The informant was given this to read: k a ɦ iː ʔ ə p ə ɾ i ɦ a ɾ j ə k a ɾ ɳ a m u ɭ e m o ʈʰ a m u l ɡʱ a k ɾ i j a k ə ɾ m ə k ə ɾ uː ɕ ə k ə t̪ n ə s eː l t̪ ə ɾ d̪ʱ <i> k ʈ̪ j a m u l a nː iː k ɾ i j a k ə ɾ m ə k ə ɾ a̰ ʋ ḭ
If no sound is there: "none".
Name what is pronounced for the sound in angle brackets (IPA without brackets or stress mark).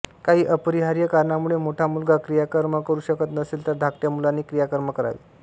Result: a